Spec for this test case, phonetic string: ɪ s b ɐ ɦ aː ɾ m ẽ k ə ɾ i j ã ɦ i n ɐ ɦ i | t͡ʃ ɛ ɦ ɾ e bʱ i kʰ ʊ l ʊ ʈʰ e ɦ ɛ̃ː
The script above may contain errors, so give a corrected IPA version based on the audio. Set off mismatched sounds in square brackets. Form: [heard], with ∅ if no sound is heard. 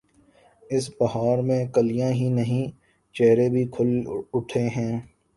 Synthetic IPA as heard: ɪ s b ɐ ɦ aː ɾ m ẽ k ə [l] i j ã ɦ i n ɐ ɦ [ĩ] | t͡ʃ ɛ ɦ ɾ e bʱ i kʰ ʊ l ʊ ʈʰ e ɦ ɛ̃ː